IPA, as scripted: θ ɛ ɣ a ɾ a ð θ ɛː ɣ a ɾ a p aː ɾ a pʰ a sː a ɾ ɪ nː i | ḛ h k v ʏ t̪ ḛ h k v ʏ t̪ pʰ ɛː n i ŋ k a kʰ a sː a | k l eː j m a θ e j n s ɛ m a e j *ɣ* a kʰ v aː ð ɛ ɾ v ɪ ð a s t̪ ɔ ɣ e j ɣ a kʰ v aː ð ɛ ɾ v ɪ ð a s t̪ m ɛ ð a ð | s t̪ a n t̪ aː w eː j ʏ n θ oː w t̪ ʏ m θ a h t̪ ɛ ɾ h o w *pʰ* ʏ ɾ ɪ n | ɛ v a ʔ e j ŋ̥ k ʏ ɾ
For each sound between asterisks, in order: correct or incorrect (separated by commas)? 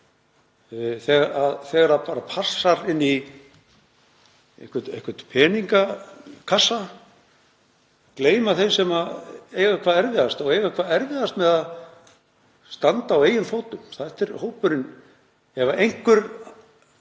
correct, incorrect